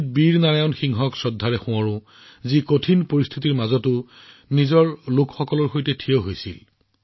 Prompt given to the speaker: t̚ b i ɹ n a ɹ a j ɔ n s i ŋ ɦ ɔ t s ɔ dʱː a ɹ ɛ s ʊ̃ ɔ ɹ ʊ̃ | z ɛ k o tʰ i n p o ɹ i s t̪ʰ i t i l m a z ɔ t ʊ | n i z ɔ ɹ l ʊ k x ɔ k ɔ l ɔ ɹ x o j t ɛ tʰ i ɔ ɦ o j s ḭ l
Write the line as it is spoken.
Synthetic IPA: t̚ b i ɹ n a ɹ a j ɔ n x i ŋ ɦ ɔ k s ɔ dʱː a ɹ ɛ x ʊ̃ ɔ ɹ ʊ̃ | z i k o tʰ i n p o ɹ i s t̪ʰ i t i ɹ m a z ɔ t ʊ | n i z ɔ ɹ l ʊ k x ɔ k ɔ l ɔ ɹ x o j t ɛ tʰ i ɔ ɦ o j s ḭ l